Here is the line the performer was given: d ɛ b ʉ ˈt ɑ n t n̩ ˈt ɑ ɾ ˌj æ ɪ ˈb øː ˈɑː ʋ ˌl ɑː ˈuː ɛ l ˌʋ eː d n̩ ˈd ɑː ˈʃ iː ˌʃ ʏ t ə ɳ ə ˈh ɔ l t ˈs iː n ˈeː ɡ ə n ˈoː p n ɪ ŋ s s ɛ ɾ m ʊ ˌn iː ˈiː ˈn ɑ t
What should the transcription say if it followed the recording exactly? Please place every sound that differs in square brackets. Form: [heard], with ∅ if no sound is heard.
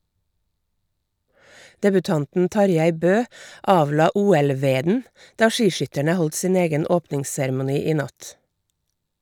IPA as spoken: d ɛ b ʉ ˈt ɑ n t n̩ ˈt ɑ ɾ ˌj æ ɪ ˈb øː ˈɑː ʋ ˌl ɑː ˈuː ɛ l ˌʋ eː d n̩ ˈd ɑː ˈʃ iː ˌʃ ʏ t ə ɳ ə ˈh ɔ l t ˈs iː n ˈeː ɡ ə n ˈoː p n ɪ ŋ s s ɛ ɾ m ʊ ˌn iː ˈiː ˈn ɑ t